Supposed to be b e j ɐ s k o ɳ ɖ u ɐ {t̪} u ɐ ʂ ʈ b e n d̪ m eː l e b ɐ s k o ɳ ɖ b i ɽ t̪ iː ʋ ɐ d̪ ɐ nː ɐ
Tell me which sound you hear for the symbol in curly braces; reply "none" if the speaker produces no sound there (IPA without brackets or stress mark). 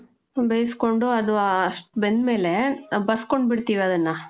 d̪